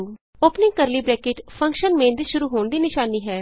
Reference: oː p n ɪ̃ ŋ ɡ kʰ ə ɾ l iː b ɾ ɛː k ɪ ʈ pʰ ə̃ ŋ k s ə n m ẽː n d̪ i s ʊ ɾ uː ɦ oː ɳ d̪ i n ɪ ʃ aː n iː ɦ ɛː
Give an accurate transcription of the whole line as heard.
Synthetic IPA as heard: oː p n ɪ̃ ŋ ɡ k ə ɾ l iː b ɾ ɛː k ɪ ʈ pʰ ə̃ ŋ k ʃ ə n m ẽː n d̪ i ʃ ʊ ɾ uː ɦ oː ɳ d̪ iː n ɪ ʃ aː n iː ɦ ɛː